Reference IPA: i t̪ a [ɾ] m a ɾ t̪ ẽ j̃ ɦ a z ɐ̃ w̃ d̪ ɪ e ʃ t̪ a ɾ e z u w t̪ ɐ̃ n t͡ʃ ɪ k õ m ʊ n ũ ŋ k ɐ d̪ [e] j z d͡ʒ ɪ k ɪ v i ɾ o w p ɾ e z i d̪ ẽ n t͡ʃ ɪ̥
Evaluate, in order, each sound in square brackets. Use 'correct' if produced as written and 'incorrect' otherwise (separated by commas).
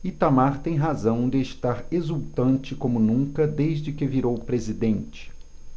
incorrect, correct